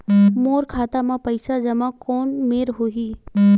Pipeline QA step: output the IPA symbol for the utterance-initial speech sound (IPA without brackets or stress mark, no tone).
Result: m